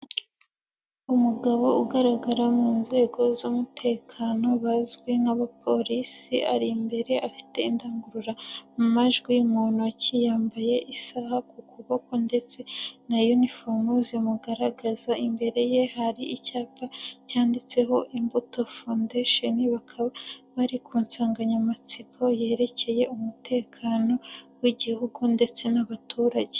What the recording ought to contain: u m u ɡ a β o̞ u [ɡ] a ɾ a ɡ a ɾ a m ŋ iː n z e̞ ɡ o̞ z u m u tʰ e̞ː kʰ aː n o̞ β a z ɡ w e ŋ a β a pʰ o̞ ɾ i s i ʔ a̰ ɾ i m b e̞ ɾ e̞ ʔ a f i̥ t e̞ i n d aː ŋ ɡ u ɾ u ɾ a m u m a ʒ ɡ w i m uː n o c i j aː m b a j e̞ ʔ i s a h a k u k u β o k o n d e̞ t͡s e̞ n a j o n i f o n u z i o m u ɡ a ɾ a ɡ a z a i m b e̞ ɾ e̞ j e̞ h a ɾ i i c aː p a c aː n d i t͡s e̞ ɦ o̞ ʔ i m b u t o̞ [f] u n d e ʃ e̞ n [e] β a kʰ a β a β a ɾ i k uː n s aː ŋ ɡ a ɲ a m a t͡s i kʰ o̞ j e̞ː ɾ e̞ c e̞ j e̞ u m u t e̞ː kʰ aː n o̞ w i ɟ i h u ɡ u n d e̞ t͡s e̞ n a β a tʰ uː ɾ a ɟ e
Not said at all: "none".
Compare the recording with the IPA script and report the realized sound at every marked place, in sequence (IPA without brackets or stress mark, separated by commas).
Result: ɡ, f, i